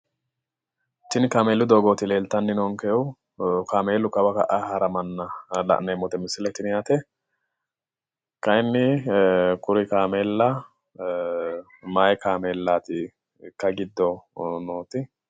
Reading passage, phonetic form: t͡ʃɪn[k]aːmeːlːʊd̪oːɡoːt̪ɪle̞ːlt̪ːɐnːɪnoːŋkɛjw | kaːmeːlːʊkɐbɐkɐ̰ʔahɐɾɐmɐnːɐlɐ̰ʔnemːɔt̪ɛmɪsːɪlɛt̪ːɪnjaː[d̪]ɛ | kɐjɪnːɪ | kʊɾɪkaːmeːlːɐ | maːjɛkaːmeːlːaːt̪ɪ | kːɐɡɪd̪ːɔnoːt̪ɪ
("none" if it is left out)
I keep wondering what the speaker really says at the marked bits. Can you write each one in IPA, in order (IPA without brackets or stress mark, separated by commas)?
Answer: k, t̪